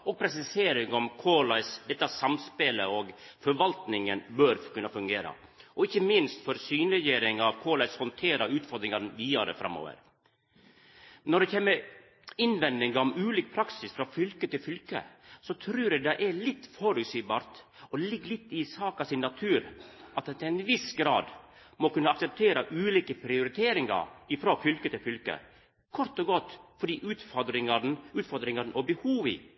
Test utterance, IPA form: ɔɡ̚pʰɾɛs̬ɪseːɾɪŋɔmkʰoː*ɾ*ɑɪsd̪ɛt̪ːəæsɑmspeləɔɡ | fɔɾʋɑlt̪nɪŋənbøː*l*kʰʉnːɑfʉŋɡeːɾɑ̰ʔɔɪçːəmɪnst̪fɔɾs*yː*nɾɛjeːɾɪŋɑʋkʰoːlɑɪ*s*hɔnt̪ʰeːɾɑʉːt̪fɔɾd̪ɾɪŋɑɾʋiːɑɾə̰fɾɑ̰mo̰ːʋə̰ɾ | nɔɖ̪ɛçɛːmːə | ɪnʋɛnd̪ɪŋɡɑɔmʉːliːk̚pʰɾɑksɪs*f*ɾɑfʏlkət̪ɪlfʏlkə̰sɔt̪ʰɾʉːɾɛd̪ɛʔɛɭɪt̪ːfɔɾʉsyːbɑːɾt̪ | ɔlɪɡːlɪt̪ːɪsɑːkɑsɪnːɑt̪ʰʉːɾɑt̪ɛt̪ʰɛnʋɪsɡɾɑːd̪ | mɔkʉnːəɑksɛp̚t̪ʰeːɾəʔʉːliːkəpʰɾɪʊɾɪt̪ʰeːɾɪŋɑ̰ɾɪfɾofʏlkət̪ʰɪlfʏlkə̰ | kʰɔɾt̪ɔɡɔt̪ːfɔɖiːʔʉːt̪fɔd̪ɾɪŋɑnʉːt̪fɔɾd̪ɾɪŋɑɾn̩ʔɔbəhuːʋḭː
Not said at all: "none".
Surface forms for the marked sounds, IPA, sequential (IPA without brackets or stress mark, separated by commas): l, ɾ, yː, s, f